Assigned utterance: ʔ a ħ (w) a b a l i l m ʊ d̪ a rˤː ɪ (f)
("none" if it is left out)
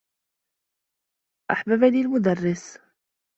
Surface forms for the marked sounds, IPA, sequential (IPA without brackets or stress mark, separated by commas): b, s